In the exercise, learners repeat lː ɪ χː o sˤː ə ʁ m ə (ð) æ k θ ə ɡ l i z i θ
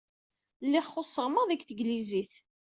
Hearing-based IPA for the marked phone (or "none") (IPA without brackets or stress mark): ð